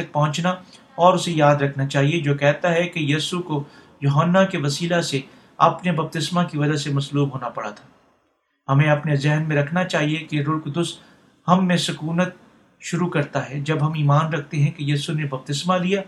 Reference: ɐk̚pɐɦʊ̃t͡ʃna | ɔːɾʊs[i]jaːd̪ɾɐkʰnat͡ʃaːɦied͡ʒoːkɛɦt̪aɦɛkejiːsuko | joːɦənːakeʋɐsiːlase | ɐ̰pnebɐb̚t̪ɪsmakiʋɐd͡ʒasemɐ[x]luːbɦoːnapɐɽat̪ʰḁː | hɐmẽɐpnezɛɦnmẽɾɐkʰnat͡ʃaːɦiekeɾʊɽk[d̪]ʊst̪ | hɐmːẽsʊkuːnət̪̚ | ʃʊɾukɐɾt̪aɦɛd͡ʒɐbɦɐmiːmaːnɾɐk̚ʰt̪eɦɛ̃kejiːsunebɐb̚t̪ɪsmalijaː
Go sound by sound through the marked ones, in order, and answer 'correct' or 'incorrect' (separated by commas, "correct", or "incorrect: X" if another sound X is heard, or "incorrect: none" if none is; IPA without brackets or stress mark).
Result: incorrect: e, incorrect: s, correct